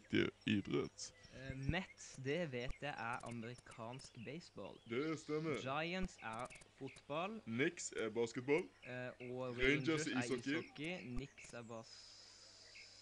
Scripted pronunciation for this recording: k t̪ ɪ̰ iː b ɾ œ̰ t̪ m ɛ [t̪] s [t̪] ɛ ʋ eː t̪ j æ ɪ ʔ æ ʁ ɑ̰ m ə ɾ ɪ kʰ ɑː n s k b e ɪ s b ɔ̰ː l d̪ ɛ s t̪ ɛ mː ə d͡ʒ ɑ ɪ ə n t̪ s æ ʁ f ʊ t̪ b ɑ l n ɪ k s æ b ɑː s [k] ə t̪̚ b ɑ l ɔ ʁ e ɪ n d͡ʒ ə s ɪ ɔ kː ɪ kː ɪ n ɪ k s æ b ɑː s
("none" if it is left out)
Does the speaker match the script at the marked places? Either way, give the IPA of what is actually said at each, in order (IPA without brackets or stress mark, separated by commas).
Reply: t̪, d̪, k